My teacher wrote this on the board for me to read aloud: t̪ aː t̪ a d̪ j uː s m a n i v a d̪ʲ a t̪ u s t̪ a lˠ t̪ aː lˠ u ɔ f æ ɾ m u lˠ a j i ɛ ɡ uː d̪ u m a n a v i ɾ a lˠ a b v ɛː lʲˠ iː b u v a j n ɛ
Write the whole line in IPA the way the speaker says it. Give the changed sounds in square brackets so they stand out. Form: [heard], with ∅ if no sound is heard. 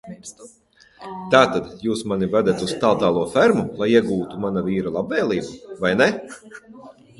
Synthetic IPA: t̪ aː t̪ a d̪ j uː s m a n i v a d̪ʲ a t̪ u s t̪ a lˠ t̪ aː lˠ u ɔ f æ ɾ m u lˠ a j i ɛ ɡ uː [t̪] u m a n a v [iː] ɾ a lˠ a b v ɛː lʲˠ iː b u v a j n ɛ